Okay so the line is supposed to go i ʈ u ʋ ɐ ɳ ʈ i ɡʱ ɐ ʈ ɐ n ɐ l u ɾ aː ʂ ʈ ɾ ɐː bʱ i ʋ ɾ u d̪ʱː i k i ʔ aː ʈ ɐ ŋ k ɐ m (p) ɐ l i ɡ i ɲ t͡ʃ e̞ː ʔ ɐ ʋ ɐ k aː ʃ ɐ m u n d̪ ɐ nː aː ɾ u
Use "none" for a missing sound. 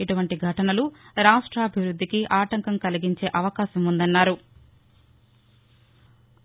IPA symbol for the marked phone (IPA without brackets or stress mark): k